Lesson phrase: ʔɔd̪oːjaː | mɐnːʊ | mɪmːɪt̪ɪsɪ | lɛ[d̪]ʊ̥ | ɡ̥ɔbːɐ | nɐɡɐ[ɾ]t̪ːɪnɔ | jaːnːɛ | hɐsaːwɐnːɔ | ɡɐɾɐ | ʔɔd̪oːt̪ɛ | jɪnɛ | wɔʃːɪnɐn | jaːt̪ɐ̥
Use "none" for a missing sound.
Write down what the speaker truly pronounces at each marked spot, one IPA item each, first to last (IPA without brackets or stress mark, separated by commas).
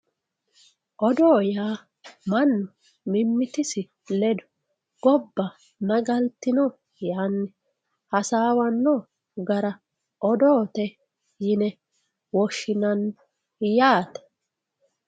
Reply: d̪, l